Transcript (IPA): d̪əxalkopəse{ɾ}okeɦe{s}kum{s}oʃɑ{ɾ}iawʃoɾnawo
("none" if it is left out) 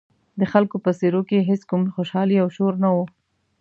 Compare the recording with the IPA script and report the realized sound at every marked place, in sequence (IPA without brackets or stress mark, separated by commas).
ɾ, s, x, l